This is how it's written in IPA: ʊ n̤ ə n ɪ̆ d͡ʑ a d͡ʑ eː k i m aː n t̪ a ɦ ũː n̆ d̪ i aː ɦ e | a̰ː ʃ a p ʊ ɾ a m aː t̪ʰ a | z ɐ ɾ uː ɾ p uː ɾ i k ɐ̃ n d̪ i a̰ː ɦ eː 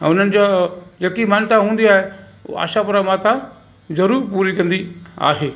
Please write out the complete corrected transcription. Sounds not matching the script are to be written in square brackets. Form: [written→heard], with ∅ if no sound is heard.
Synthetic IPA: ʊ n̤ ə n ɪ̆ d͡ʑ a d͡ʑ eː k i m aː n t̪ a ɦ ũː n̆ d̪ i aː ɦ e | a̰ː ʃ a p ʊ ɾ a m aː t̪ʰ a | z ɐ ɾ uː ɾ p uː ɾ i k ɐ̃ n d̪ i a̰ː ɦ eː